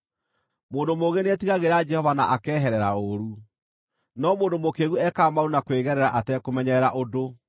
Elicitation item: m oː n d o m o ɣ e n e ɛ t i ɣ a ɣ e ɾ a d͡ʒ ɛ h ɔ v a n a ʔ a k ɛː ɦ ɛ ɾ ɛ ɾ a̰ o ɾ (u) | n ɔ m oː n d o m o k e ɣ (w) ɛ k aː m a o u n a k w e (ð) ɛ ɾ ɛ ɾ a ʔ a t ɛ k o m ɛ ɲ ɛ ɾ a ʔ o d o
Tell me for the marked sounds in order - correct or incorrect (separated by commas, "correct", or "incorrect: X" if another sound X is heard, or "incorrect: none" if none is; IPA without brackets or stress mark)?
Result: correct, incorrect: u, incorrect: ɣ